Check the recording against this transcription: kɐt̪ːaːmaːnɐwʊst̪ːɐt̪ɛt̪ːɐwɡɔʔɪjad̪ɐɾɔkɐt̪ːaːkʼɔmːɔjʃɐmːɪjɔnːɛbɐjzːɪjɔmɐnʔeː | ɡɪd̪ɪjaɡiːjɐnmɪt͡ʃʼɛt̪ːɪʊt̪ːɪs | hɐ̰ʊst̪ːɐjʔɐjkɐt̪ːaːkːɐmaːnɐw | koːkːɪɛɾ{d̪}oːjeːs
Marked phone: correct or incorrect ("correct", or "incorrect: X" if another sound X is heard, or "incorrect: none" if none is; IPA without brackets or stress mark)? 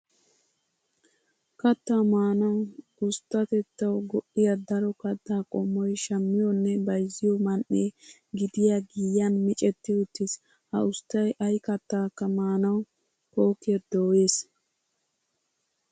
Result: correct